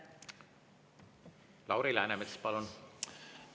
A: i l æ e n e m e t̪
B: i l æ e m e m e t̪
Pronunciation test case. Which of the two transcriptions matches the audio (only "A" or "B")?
A